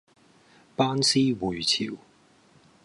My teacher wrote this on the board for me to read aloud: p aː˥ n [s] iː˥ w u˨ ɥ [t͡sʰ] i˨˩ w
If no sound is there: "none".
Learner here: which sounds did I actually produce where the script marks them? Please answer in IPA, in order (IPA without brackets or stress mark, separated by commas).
s, t͡sʰ